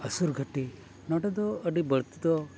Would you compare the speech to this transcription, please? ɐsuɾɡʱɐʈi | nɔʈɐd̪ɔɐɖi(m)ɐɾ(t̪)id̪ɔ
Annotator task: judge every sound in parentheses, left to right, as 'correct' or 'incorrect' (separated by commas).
incorrect, correct